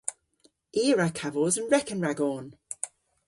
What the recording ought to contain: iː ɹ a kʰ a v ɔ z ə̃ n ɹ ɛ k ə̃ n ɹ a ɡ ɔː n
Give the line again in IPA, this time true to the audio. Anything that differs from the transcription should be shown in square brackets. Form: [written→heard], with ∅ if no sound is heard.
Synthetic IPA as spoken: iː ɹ a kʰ a v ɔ z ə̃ n ɹ ɛ k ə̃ n ɹ a ɡ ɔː n